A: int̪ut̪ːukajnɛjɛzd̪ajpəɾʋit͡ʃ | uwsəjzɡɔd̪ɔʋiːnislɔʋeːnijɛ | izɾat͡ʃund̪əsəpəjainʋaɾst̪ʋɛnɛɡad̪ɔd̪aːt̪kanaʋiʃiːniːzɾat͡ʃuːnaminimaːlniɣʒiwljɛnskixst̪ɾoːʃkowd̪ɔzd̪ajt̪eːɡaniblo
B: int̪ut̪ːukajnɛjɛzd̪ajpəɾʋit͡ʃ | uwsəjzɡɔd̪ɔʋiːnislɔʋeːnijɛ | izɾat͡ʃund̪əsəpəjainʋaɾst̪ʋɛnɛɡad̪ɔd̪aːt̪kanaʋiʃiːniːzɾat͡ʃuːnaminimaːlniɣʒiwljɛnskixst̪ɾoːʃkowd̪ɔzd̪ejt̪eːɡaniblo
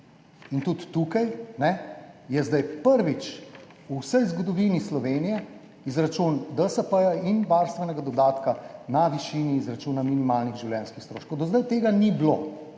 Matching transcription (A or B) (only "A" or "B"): A